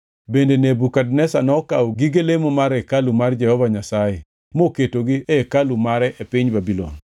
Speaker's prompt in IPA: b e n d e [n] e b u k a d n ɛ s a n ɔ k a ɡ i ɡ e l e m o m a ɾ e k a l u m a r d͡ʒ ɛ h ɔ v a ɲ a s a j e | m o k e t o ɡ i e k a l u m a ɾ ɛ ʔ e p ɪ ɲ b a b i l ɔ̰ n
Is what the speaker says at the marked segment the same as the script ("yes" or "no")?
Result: yes